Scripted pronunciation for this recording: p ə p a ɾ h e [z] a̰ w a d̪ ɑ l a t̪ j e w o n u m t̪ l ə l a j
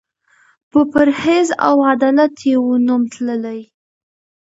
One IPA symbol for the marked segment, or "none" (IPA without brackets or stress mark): z